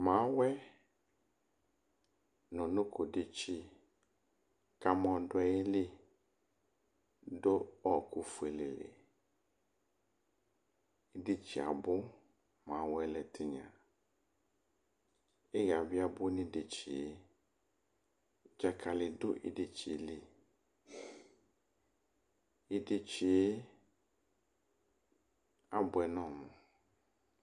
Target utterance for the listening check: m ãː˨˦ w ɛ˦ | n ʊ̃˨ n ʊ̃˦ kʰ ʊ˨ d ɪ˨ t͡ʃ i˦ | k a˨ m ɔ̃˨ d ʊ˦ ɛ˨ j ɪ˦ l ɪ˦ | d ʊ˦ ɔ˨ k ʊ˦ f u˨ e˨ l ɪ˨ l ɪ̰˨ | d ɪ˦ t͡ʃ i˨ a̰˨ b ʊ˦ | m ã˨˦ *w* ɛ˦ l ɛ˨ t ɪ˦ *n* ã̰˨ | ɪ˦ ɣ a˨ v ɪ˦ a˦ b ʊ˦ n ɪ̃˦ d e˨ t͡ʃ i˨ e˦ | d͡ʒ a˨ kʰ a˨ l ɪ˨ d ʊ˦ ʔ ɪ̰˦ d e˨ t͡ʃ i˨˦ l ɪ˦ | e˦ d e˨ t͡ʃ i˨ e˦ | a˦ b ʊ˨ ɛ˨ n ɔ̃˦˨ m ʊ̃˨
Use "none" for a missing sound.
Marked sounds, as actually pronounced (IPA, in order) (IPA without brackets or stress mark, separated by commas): w, ɲ